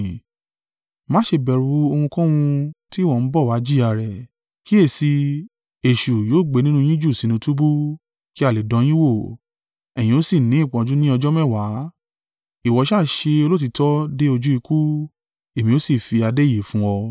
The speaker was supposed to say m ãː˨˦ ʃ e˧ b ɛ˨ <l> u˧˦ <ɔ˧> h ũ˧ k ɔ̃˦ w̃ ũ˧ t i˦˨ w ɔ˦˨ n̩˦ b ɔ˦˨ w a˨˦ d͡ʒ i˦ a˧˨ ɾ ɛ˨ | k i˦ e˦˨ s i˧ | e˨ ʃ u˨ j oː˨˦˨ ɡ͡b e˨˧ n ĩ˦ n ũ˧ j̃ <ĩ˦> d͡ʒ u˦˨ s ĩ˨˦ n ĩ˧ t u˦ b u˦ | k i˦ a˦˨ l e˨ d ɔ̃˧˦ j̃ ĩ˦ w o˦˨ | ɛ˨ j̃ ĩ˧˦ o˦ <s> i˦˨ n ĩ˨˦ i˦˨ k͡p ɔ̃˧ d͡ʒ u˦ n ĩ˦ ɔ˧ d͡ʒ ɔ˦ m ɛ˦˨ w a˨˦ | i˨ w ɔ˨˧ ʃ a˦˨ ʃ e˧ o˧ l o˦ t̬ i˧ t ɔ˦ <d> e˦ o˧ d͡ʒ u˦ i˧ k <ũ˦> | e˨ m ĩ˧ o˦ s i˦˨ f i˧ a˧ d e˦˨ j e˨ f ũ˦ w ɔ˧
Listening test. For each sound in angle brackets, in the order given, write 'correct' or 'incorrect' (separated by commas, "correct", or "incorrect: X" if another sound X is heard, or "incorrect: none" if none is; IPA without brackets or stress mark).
incorrect: ɾ, incorrect: o˧, correct, correct, correct, incorrect: u˦